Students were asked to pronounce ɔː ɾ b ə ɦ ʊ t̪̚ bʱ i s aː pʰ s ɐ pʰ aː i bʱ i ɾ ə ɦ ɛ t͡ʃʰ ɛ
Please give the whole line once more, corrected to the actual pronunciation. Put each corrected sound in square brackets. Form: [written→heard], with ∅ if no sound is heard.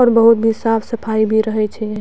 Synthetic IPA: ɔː ɾ b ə ɦ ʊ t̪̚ bʱ i s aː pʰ s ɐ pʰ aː i bʱ i ɾ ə ɦ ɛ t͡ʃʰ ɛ